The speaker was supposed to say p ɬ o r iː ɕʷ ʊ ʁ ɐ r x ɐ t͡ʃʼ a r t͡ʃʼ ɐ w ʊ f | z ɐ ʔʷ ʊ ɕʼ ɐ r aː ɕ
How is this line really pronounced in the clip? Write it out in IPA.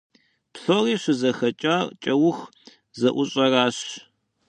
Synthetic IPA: p ɬ o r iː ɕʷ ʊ z ɐ x ɐ t͡ʃʼ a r t͡ʃʼ ɐ w ʊ x | z ɐ ʔʷ ʊ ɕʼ ɐ r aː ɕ

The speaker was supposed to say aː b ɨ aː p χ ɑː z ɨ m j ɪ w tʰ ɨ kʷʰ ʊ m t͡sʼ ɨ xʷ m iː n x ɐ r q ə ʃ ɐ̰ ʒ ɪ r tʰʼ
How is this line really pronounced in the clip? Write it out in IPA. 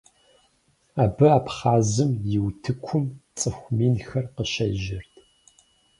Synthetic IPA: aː b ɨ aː p χ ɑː z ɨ m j ɪ w tʰ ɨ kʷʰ ʊ m t͡sʼ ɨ xʷ m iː n x ɐ r q ə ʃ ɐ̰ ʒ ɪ r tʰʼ

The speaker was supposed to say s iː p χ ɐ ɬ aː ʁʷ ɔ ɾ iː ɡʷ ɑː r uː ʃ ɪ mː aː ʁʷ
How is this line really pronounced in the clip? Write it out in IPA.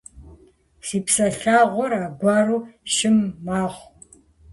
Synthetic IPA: s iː p s ɐ ɬ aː ʁʷ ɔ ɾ aː ɡʷ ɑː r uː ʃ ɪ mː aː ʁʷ

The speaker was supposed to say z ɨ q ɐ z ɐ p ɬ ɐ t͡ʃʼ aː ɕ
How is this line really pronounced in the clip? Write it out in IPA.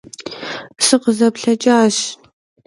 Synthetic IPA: s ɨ q ə z ɐ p ɬ ɐ t͡ʃʼ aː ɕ

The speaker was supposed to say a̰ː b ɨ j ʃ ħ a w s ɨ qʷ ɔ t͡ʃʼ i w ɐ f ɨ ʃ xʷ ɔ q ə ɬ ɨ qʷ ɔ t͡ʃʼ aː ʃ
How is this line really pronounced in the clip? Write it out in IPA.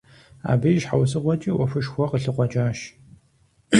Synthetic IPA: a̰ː b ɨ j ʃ ħ a w s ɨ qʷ ɔ t͡ʃʼ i w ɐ f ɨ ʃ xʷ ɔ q ə ɬ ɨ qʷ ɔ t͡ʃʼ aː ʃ

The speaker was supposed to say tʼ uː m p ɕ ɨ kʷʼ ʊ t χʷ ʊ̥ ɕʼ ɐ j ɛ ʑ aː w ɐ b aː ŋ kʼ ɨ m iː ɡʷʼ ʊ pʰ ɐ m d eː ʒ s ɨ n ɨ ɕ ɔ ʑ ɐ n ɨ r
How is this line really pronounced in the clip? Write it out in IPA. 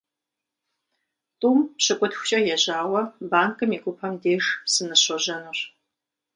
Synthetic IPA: tʼ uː m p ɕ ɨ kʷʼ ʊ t xʷ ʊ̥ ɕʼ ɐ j ɛ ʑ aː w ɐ b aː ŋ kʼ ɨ m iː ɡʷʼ ʊ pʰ ɐ m d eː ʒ s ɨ n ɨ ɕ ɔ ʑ ɐ n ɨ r

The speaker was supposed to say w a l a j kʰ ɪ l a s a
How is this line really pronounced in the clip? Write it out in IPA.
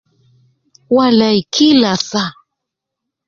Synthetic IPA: w a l a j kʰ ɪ l a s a

